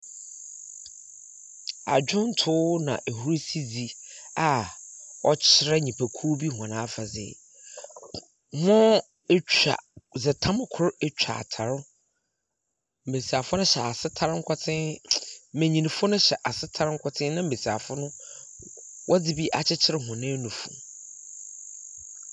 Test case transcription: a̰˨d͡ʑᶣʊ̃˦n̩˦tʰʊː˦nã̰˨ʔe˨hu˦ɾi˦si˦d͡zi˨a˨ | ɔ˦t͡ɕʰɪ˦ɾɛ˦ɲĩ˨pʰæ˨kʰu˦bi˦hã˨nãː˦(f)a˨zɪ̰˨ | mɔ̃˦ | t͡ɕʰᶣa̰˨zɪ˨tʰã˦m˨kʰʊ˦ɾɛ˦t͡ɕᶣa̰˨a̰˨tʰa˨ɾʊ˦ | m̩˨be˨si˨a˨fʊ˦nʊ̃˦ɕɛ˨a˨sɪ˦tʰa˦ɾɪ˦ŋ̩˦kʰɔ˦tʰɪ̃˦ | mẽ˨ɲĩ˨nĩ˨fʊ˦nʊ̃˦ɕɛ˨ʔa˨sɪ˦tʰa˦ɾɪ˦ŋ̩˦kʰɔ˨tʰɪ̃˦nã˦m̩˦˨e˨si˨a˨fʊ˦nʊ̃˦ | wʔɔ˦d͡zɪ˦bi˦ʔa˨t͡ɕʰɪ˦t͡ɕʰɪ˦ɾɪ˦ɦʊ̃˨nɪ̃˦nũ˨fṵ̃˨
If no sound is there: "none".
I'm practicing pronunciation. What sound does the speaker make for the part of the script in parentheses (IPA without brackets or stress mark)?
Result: f